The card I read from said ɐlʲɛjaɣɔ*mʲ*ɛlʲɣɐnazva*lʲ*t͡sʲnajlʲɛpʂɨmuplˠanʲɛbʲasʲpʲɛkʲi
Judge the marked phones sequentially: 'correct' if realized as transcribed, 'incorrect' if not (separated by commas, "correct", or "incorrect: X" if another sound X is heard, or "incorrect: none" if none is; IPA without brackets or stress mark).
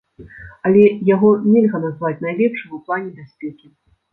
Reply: incorrect: nʲ, incorrect: none